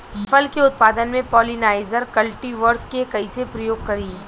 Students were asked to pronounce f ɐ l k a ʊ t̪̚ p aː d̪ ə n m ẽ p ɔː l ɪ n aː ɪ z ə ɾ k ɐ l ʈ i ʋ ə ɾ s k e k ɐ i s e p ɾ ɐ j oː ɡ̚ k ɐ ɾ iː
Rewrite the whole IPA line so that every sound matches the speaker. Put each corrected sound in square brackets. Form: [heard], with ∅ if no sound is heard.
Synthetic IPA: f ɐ l k [e] ʊ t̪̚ p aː d̪ ə n m ẽ p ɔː l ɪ n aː ɪ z ə ɾ k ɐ l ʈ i ʋ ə ɾ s k e k ɐ i s e p ɾ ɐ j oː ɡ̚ k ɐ ɾ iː

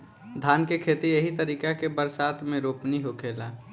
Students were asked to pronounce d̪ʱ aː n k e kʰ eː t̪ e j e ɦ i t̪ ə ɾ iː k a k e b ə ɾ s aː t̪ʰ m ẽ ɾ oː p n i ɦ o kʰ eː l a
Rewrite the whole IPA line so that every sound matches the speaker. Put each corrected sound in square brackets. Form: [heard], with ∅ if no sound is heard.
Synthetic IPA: d̪ʱ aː n k e kʰ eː t̪ [i] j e ɦ i t̪ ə ɾ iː k a k e b ə ɾ s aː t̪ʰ m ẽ ɾ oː p n i ɦ o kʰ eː l a

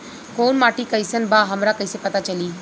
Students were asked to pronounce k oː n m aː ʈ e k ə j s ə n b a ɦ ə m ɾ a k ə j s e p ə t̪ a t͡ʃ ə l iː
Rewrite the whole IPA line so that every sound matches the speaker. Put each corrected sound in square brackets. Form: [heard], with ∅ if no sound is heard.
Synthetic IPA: k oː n m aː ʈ [i] k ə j s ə n b a ɦ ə m ɾ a k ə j s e p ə t̪ a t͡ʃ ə l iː

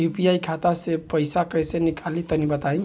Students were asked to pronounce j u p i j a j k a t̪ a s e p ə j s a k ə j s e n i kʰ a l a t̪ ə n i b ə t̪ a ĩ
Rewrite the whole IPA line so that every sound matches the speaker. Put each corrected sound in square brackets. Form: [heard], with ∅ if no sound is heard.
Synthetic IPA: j u p i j a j [kʰ] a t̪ a s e p ə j s a k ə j s e n i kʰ a l [i] t̪ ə n i b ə t̪ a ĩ

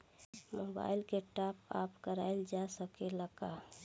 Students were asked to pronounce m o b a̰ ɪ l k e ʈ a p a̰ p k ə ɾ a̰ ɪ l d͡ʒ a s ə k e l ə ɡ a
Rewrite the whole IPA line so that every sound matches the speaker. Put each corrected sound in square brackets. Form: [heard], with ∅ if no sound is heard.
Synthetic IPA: m o b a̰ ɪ l k e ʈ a p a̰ p k ə ɾ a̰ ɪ l d͡ʒ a s ə k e l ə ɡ a

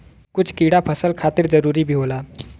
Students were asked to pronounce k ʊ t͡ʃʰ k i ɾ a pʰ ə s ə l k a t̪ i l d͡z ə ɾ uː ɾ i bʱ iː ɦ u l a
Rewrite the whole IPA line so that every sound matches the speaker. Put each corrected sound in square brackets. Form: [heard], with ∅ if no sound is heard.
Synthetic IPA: k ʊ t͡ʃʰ k i [ɽ] a pʰ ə s ə l [kʰ] a t̪ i [ɾ] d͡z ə ɾ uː ɾ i bʱ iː ɦ [o] l a

